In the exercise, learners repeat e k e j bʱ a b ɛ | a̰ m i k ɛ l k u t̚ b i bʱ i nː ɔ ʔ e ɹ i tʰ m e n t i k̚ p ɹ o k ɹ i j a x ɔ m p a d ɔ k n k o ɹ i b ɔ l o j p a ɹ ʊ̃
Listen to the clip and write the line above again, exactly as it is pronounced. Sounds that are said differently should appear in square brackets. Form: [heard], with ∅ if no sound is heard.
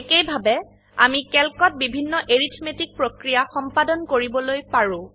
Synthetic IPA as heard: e k e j bʱ a b ɛ | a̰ m i k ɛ l k [ɔ] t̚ b i bʱ i nː ɔ ʔ e ɹ i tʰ m e [∅] t i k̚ p ɹ o k ɹ i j a x ɔ m p a d ɔ [∅] n k o ɹ i b ɔ l o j p a ɹ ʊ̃